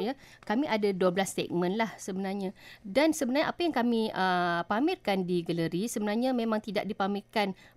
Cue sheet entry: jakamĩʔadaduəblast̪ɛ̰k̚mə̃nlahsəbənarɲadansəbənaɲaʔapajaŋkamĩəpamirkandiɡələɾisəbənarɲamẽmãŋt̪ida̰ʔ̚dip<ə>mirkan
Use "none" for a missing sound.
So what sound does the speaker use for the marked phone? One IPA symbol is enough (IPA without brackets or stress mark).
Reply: a